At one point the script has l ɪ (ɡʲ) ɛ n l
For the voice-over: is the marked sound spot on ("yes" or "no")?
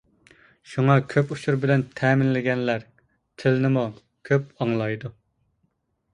yes